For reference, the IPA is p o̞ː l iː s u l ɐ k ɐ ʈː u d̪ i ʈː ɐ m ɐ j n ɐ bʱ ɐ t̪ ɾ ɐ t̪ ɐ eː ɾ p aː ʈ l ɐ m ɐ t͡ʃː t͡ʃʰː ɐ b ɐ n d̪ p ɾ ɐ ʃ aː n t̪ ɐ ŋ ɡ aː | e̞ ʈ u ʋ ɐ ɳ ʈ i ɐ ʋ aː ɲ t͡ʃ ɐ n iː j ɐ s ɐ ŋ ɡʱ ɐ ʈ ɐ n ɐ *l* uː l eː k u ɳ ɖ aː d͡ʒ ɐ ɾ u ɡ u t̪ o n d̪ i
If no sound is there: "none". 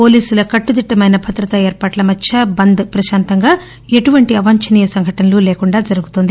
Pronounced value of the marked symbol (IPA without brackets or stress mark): l